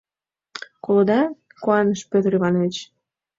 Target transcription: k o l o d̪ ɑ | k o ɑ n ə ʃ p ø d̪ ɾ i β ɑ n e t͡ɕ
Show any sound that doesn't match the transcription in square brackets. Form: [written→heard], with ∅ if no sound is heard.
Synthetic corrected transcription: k o l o d̪ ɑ | k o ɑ n ə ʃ p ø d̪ ɾ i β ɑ n e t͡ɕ

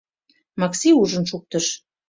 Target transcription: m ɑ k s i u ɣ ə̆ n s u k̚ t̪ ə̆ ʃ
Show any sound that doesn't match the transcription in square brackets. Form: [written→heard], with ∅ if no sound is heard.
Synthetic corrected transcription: m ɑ k s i u [ɣ→ʒ] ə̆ n [s→ʃ] u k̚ t̪ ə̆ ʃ

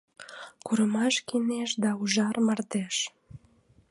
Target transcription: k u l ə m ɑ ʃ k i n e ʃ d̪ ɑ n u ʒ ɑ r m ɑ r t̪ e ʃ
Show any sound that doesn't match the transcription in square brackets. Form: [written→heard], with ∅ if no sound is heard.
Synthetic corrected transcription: k u [l→ɾ] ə m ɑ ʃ k i n e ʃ d̪ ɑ [n→∅] u ʒ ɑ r m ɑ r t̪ e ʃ

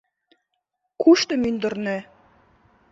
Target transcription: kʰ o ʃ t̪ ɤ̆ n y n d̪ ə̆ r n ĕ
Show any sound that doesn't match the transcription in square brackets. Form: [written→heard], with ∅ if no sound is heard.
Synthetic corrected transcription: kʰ [o→u] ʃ t̪ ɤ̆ [n→m] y n d̪ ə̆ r n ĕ

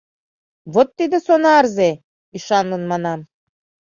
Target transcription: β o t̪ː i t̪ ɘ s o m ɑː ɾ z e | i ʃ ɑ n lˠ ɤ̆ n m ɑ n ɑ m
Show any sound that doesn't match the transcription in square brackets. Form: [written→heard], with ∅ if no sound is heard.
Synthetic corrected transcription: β o t̪ː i [t̪→d̪] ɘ s o [m→n] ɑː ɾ z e | i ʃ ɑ n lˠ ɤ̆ n m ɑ n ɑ m

